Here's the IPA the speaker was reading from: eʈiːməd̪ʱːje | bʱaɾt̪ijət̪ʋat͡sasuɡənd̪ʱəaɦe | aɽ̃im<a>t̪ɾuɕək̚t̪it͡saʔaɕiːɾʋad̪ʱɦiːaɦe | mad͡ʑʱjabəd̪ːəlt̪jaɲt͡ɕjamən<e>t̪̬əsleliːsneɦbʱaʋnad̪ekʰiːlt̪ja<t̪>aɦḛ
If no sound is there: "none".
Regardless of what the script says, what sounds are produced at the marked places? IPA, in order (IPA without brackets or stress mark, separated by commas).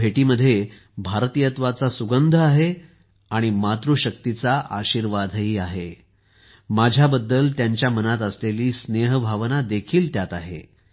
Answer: a, a, t̪